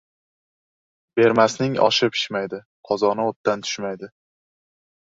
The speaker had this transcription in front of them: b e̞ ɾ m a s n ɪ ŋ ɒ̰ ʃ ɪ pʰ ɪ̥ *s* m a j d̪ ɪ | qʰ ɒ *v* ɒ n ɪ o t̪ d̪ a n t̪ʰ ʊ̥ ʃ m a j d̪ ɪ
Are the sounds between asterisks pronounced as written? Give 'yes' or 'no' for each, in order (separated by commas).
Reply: no, no